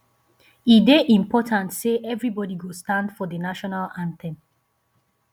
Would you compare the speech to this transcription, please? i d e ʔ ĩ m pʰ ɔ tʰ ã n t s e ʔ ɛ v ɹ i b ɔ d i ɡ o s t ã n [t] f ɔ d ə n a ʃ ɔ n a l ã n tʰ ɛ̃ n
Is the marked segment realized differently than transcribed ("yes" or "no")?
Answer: yes